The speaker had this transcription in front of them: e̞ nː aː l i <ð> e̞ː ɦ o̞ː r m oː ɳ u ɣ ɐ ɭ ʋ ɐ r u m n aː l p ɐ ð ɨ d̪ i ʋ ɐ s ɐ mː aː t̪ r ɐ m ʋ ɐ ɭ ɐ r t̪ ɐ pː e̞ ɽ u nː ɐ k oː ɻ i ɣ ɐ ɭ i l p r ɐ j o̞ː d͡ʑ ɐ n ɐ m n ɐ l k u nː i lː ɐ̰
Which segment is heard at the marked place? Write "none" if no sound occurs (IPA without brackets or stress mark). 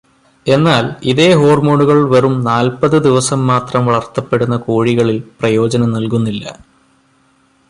ð